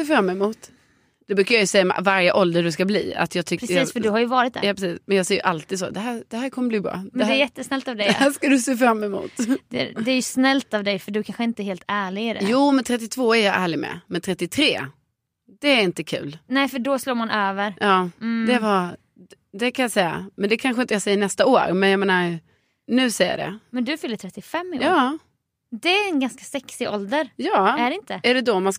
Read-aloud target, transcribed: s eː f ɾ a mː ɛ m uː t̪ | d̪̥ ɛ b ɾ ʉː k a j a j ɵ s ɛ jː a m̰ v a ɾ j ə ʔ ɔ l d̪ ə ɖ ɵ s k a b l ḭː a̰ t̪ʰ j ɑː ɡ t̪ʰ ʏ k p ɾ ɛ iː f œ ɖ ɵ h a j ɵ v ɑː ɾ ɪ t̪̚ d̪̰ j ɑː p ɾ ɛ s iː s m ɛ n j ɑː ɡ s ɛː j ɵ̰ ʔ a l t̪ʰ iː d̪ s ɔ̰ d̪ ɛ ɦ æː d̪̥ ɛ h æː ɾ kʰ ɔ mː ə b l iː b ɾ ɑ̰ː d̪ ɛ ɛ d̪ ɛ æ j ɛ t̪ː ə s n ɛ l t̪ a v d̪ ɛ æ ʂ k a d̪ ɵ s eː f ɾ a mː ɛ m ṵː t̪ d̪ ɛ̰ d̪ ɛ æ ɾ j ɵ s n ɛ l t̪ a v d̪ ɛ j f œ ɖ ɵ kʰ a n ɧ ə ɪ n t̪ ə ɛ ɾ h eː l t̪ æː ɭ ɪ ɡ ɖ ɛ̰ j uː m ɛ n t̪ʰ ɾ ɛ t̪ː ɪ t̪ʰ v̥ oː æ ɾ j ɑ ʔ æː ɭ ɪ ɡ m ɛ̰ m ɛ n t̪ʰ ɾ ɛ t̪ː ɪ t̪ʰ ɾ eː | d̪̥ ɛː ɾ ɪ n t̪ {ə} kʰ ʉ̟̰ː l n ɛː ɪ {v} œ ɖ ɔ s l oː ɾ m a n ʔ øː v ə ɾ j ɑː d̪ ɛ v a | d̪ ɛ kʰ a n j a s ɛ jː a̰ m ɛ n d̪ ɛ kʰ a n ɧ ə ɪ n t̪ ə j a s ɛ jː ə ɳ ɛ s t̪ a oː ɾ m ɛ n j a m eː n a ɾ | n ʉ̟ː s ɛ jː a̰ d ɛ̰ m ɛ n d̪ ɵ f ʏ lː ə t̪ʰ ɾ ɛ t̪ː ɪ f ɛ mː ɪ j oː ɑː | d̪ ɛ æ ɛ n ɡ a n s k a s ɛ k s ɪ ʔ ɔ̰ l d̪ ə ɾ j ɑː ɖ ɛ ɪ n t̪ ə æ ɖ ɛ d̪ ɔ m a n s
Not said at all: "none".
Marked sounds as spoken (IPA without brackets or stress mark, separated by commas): ə, f